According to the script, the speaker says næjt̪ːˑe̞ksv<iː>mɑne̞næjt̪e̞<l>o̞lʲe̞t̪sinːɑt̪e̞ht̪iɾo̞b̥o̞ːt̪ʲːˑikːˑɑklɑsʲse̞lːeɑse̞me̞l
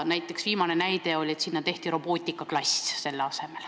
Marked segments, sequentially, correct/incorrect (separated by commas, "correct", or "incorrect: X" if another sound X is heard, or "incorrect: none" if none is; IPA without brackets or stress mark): correct, incorrect: none